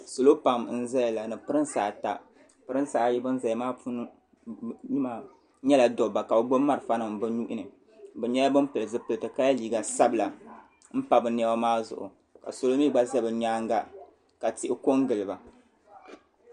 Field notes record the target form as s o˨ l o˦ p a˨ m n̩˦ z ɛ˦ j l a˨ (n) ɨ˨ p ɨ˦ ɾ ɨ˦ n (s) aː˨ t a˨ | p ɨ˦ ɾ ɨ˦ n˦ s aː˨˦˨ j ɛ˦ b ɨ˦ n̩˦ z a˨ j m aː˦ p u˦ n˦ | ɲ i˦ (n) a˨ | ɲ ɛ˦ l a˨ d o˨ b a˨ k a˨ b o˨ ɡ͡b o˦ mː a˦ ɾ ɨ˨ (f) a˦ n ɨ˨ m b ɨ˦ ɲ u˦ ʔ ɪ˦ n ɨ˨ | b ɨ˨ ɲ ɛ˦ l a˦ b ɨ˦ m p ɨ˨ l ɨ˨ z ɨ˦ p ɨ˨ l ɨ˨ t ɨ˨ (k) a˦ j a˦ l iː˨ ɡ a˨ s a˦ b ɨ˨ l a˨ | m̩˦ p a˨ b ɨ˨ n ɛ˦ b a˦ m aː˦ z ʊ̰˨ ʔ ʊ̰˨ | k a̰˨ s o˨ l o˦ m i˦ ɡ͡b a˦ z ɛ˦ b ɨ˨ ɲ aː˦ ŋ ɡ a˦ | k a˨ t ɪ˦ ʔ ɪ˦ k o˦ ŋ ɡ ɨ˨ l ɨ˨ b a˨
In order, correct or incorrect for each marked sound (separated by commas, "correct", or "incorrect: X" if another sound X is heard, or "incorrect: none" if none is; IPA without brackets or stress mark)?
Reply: correct, correct, incorrect: m, correct, correct